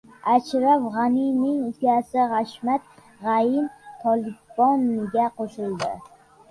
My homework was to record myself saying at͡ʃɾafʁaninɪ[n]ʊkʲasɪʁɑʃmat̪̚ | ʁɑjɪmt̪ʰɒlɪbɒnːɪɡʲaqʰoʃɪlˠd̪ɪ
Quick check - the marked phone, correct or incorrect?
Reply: incorrect